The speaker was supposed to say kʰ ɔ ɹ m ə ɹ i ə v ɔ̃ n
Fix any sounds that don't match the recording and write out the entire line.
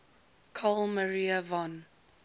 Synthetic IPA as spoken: kʰ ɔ l m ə ɹ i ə v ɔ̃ n